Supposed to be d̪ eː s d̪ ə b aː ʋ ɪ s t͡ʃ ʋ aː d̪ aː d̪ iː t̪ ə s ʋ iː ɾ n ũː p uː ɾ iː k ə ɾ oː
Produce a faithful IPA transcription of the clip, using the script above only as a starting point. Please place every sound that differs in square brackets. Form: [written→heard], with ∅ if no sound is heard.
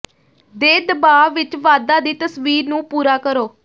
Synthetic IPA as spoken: d̪ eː [s→∅] d̪ ə b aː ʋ ɪ [s→∅] t͡ʃ ʋ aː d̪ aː d̪ iː t̪ ə s ʋ iː ɾ n ũː p uː ɾ [iː→aː] k ə ɾ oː